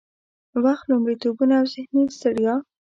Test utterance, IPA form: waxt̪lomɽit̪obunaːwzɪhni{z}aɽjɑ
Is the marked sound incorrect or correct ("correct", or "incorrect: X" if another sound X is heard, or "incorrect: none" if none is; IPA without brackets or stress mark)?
incorrect: s